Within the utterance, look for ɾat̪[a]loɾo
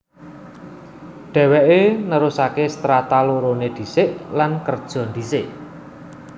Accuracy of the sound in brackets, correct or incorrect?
correct